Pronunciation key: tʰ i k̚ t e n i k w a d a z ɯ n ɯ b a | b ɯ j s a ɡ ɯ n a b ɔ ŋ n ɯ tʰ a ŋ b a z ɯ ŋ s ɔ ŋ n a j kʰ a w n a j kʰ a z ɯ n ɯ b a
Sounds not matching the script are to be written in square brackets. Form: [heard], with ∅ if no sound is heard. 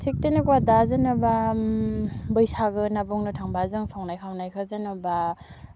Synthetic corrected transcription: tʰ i k̚ t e n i k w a d a z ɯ n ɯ b a | b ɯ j s a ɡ ɯ n a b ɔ ŋ n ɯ tʰ a ŋ b a z ɯ ŋ s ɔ ŋ n a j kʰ a w n a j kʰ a z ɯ n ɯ b a